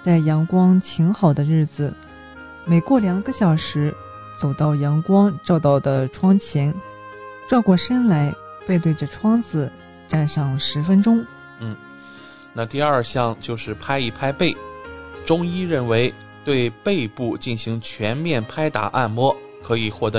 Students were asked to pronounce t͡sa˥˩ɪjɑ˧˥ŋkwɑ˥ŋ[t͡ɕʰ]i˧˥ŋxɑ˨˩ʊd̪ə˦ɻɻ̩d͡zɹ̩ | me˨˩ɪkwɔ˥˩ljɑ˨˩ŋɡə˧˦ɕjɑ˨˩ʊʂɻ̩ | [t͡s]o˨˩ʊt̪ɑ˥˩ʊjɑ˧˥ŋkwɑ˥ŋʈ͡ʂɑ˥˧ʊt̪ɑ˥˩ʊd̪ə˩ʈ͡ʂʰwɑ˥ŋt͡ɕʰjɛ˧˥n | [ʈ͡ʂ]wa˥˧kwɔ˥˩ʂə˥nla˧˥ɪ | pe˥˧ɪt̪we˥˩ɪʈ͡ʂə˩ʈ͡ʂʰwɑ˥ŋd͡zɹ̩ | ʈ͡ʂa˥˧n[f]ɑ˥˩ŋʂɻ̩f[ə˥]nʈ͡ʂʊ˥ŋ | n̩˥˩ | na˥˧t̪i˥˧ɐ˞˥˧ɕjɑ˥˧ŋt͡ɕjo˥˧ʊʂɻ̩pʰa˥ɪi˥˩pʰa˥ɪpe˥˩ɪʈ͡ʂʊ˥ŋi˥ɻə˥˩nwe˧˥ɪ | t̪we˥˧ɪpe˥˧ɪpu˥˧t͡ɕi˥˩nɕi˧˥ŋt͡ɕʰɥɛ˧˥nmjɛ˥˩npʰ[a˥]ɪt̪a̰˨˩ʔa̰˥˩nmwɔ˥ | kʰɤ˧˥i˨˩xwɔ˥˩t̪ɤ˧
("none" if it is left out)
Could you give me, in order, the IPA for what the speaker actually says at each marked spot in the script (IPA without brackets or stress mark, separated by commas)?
t͡ɕʰ, t͡s, ʈ͡ʂ, ʂ, ə˥, a˥